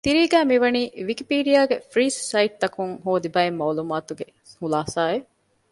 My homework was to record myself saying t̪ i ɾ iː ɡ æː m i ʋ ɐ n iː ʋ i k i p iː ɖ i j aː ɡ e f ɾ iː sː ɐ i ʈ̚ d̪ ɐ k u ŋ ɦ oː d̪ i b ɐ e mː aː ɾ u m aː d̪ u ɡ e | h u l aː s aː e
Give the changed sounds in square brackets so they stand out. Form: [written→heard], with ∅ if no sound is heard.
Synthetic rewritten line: t̪ i ɾ iː ɡ æː m i ʋ ɐ n iː ʋ i k i p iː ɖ i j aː ɡ e f ɾ iː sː ɐ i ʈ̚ [d̪→t̪] ɐ k u ŋ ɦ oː d̪ i b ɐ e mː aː [ɾ→l] u m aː [d̪→t̪] u ɡ e | h u l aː s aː e